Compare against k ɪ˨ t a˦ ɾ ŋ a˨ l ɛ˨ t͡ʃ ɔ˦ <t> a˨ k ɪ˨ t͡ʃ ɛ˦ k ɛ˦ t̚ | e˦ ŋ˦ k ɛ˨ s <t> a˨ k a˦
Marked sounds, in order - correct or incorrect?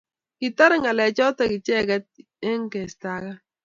correct, correct

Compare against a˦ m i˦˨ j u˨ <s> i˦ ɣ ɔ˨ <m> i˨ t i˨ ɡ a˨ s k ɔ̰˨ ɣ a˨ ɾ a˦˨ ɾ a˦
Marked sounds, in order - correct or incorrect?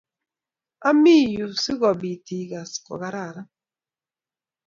correct, incorrect

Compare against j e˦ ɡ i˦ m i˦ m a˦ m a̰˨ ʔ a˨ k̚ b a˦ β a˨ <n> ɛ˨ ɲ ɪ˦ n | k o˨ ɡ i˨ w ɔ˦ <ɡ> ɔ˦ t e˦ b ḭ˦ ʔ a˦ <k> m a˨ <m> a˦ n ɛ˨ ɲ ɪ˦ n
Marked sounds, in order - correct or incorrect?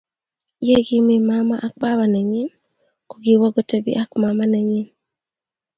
correct, correct, correct, correct

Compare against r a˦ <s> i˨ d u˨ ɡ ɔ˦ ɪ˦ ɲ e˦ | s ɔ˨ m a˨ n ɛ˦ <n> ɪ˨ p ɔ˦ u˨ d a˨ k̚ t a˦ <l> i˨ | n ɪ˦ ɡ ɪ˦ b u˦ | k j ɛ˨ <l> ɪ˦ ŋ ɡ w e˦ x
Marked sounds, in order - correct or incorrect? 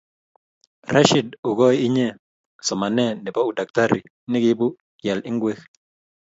incorrect, correct, incorrect, correct

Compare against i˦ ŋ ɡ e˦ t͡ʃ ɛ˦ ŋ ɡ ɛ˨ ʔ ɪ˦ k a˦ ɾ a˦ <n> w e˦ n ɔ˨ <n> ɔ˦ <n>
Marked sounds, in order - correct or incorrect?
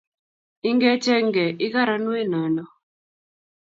correct, correct, incorrect

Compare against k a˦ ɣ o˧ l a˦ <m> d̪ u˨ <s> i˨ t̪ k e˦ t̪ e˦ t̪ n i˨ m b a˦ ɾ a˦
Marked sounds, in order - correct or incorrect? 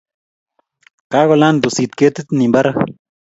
incorrect, correct

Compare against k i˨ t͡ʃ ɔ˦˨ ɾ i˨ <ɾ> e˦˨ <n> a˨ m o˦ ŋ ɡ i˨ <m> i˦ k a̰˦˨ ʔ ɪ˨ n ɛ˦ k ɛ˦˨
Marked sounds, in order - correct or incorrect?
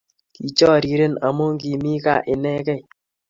correct, correct, correct

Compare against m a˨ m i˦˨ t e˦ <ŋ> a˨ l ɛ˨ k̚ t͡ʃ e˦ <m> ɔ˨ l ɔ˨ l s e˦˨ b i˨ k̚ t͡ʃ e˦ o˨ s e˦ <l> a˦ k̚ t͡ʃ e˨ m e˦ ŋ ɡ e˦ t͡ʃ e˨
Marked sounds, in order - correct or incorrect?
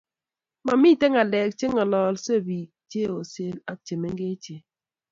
correct, incorrect, correct

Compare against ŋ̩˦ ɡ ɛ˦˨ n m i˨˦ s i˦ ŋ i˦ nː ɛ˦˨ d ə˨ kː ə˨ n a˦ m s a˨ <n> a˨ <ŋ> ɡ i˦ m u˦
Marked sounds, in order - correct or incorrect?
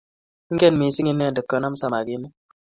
incorrect, incorrect

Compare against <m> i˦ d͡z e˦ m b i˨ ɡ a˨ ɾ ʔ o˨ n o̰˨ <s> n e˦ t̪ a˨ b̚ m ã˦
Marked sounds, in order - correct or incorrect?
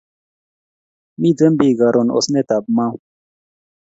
correct, correct

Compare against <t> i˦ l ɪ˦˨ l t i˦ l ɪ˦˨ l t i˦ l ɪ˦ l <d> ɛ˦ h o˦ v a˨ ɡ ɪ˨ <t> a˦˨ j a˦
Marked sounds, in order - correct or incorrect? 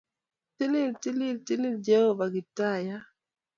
correct, incorrect, correct

